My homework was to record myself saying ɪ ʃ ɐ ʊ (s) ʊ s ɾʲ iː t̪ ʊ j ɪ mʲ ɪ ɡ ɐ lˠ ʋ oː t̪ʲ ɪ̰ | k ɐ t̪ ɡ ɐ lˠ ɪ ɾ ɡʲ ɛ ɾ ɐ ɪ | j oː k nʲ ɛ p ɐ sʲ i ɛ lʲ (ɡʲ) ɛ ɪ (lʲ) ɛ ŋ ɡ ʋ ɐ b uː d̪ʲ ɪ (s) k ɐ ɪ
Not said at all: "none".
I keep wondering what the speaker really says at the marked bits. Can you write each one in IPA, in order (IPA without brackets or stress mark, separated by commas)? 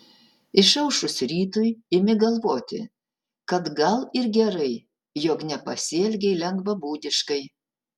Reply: ʃ, ɡʲ, lʲ, ʃ